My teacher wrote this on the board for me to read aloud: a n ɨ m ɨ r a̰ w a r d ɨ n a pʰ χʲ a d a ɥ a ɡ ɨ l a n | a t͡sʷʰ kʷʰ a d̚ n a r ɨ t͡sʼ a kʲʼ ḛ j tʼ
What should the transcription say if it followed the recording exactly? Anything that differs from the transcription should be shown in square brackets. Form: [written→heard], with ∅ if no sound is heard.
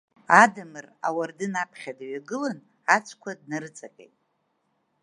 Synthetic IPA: a [n→d] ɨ m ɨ r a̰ w a r d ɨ n a pʰ χʲ a d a ɥ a ɡ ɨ l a n | a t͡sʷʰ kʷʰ a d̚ n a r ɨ t͡sʼ a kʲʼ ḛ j tʼ